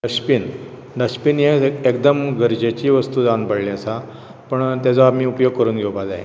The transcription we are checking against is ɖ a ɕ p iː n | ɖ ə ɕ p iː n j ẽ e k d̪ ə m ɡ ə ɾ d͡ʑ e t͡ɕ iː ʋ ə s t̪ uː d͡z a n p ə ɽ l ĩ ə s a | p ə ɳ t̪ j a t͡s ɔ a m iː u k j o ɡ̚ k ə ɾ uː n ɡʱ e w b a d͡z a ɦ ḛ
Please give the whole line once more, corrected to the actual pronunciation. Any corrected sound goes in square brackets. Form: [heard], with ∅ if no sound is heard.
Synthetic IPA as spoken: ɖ [ə] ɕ p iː n | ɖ ə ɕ p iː n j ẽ e k d̪ ə m ɡ ə ɾ d͡ʑ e t͡ɕ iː ʋ ə s t̪ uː d͡z a n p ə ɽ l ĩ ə s a | p ə ɳ t̪ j a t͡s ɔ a m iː u [p] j o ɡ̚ k ə ɾ uː n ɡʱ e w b a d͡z a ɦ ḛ